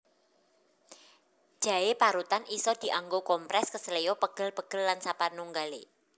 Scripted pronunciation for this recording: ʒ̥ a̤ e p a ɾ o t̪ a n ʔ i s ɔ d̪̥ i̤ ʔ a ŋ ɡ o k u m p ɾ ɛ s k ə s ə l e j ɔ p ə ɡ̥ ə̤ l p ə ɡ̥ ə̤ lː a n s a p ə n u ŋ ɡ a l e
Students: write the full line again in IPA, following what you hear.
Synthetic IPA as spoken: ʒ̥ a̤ e p a ɾ u t̪ a n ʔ i s ɔ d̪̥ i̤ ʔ a ŋ ɡ o k ɔ m p ɾ ɛ s k ə s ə l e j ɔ p ə ɡ̥ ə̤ l p ə ɡ̥ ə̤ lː a n s a p a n u ŋ ɡ a l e